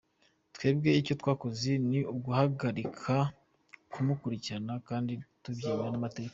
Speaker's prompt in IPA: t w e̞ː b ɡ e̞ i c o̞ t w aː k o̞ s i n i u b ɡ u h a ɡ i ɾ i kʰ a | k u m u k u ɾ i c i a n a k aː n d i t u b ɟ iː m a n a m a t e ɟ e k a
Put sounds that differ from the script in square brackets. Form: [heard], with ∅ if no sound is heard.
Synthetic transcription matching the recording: t w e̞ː b ɡ e̞ i c o̞ t w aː k o̞ [z] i n i u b ɡ u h a ɡ [a] ɾ i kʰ a | k u m u k u ɾ i c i a n a k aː n d i t u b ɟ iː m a n a m a t e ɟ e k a